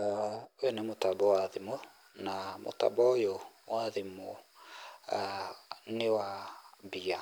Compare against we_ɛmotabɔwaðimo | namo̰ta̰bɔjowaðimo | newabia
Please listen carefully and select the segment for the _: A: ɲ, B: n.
B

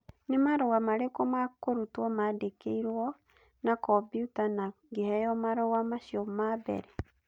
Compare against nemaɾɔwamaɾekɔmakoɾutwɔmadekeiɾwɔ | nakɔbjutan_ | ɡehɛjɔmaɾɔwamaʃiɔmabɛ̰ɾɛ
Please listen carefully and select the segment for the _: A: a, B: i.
A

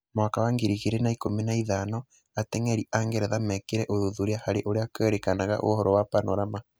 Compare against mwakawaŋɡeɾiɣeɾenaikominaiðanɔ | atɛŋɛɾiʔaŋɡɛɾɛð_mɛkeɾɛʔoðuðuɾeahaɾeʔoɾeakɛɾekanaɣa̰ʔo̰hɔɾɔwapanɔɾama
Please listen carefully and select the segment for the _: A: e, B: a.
B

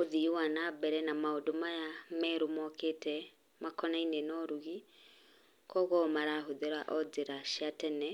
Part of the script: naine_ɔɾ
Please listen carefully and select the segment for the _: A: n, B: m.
A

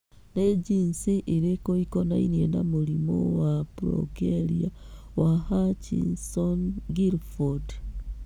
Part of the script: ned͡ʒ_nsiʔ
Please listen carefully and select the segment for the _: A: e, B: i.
B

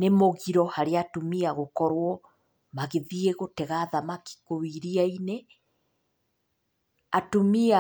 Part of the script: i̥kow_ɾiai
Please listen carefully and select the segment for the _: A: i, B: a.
A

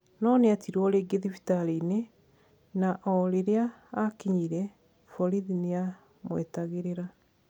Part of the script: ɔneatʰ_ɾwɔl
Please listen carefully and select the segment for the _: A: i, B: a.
A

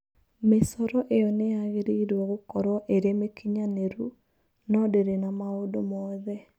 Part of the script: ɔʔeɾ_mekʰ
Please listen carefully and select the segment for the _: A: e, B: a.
A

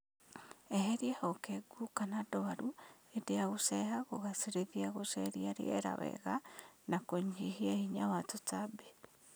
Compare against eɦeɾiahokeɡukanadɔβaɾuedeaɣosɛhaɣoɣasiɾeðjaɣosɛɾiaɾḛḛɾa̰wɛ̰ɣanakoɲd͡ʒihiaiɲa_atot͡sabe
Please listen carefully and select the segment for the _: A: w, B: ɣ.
A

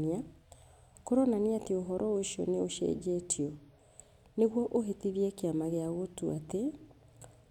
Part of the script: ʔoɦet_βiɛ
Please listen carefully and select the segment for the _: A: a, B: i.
B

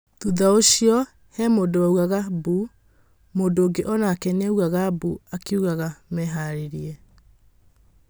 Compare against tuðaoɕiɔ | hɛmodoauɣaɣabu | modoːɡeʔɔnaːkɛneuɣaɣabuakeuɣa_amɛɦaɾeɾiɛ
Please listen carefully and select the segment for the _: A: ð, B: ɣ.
B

